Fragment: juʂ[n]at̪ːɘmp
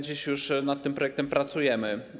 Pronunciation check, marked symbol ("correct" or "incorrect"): correct